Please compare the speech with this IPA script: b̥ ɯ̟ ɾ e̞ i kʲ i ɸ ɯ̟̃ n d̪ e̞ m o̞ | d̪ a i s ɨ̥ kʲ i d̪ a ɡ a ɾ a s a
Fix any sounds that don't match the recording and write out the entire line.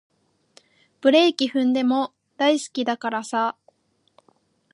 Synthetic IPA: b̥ ɯ̟ ɾ e̞ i kʲ i ɸ ɯ̟̃ n d̪ e̞ m o̞ | d̪ a i s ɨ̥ kʲ i d̪ a k a ɾ a s a